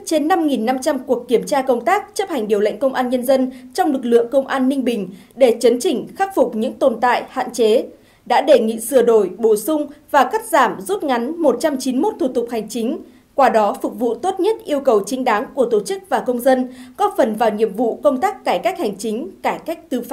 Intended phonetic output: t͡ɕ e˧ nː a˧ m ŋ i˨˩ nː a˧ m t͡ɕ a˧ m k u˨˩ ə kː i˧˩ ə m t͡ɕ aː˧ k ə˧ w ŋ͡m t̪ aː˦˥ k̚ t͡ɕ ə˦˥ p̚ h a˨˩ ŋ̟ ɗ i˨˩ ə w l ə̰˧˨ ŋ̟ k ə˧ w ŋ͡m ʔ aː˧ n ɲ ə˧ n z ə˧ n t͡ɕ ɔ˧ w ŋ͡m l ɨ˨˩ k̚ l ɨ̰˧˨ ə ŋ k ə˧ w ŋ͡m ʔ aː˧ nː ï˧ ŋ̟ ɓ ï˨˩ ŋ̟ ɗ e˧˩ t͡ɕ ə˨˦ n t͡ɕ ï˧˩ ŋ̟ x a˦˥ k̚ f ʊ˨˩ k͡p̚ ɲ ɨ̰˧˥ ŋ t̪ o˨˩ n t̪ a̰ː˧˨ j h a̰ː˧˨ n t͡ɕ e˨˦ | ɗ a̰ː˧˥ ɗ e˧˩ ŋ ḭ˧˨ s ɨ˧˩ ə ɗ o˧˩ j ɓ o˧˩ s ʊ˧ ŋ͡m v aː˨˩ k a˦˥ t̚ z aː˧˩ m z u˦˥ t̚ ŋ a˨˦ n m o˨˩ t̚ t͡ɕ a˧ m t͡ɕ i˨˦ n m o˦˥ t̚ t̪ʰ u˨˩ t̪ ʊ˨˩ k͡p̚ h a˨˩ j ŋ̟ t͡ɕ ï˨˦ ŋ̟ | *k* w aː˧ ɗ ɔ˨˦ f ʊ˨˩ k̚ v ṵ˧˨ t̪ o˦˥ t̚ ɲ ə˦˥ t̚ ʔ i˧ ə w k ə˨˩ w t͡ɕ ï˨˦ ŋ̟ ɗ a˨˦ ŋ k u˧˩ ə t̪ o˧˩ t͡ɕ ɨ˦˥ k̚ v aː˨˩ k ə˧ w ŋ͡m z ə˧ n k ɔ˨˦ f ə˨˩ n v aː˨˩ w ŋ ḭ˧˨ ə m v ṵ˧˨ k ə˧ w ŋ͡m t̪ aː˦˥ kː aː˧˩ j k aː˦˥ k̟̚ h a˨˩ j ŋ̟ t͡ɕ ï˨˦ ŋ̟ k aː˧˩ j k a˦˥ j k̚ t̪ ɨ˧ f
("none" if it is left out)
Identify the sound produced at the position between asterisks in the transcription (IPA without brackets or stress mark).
k